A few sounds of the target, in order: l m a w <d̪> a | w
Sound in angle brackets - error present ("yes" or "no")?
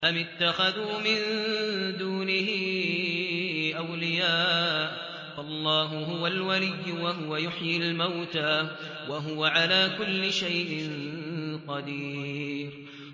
yes